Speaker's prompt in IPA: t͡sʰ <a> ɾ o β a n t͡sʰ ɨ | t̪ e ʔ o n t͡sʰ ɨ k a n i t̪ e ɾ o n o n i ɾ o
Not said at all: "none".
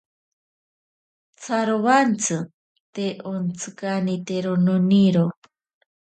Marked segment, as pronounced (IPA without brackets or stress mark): a